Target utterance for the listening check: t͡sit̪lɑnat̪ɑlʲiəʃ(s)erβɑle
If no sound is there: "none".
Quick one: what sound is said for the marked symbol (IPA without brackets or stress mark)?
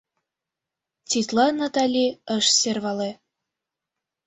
s